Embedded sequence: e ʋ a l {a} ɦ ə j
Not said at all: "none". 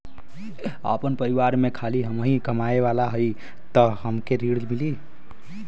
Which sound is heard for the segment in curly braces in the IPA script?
a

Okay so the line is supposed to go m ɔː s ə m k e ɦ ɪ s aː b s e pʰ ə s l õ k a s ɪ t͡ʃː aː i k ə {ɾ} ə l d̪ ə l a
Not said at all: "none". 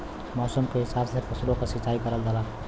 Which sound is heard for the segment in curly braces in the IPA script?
ɾ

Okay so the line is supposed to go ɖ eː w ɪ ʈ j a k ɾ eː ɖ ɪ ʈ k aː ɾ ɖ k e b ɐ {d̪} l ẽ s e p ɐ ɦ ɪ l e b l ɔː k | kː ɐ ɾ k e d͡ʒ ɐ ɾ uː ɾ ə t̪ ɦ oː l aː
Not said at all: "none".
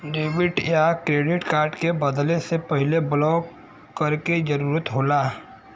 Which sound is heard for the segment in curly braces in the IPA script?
d̪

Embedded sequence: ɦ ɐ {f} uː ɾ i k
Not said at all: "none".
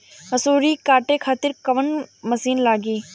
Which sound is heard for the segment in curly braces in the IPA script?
s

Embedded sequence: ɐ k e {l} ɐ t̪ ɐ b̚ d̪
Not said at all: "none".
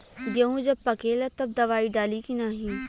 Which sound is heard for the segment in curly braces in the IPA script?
l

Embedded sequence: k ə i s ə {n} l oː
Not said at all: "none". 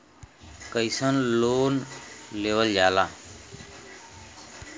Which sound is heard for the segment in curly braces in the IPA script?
n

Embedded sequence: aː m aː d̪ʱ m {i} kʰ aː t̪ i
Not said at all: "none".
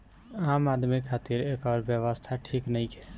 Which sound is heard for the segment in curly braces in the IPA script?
i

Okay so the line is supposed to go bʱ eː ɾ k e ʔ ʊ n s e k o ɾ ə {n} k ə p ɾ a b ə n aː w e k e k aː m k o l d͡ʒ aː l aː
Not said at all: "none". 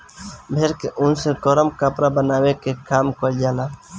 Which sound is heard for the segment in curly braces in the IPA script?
m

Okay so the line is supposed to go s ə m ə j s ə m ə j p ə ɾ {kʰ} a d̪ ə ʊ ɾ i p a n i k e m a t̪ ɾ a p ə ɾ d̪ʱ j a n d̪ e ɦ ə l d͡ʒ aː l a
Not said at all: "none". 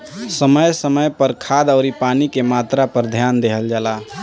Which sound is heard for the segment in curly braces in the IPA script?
kʰ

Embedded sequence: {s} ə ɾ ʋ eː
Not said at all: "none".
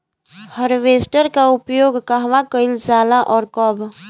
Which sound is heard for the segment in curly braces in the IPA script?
h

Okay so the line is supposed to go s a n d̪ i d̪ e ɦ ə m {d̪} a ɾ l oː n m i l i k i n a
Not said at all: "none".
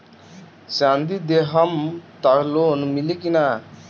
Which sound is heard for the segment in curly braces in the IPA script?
t̪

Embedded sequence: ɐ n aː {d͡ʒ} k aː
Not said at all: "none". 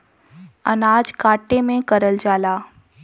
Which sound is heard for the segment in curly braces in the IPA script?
d͡ʒ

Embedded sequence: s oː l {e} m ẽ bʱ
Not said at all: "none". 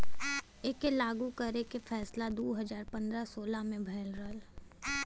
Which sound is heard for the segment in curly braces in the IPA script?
a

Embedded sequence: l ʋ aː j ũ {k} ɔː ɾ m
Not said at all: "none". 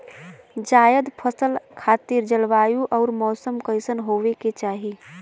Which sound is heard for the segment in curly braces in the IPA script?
ʔ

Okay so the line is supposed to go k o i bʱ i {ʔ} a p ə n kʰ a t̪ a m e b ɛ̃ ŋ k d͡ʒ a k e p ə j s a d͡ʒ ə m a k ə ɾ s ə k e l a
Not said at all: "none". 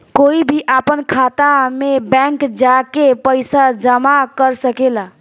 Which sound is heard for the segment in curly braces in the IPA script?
ʔ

